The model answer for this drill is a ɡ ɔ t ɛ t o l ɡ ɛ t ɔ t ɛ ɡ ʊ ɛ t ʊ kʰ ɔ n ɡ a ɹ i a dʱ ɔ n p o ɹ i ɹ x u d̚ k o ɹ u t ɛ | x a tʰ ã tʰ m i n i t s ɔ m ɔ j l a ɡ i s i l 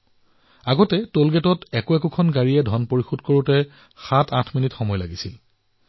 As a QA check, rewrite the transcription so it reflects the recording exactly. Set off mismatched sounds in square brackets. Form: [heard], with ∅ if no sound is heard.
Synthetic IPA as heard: a ɡ ɔ t ɛ t o l ɡ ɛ t ɔ t ɛ [k] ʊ ɛ [k] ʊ kʰ ɔ n ɡ a ɹ i [ɛ] dʱ ɔ n p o ɹ i [∅] x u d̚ k o ɹ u t ɛ | x a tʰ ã tʰ m i n i t [x] ɔ m ɔ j l a ɡ i s i l